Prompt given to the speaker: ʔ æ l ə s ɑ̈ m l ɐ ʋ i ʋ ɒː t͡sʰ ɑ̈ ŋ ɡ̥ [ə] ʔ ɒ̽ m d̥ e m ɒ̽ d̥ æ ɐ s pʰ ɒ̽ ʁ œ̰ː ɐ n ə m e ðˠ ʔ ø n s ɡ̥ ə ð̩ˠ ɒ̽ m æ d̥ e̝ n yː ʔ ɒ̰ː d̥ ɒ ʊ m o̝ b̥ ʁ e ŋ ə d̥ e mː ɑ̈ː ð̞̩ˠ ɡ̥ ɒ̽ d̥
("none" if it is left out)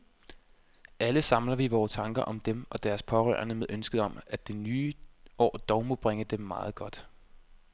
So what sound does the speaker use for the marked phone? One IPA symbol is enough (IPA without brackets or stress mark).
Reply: ɐ